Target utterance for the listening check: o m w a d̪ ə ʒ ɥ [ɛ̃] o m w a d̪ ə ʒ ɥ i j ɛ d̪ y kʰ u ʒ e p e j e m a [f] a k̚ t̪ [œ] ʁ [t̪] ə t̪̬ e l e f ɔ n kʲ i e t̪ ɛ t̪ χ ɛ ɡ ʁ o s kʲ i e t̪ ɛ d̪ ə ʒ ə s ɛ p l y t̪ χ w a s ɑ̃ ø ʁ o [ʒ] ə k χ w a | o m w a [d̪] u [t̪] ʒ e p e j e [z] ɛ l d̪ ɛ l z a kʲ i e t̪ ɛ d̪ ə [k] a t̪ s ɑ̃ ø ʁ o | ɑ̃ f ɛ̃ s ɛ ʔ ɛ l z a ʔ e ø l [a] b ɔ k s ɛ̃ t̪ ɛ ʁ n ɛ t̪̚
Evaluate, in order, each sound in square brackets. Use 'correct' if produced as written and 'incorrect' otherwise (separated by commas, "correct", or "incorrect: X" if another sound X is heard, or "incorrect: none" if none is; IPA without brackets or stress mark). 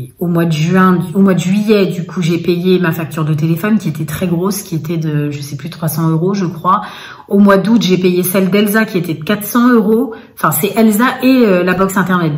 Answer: correct, correct, incorrect: y, incorrect: d̪, correct, correct, correct, incorrect: s, correct, correct